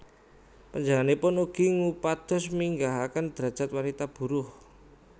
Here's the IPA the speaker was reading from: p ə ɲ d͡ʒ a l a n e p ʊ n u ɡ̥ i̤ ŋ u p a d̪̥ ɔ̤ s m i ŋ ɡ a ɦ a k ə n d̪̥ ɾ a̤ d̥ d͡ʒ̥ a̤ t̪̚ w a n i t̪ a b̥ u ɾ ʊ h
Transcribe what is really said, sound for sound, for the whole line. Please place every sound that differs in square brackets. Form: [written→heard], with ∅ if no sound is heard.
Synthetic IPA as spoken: p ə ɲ d͡ʒ a l a n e p ʊ n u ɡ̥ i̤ ŋ u p a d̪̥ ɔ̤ s m i ŋ ɡ a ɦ a k ə n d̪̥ ɾ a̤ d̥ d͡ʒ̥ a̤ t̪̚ w a n i t̪ a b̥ u ɾ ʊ h